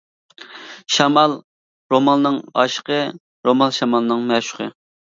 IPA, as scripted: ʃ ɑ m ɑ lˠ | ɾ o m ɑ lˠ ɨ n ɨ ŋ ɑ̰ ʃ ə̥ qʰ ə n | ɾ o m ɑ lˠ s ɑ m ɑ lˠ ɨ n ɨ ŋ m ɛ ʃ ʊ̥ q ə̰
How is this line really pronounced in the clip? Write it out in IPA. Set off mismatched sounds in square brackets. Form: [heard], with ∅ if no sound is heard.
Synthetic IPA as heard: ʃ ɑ m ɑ lˠ | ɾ o m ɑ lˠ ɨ n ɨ ŋ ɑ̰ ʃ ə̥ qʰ ə [∅] | ɾ o m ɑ lˠ [ʃ] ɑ m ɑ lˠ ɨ n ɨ ŋ m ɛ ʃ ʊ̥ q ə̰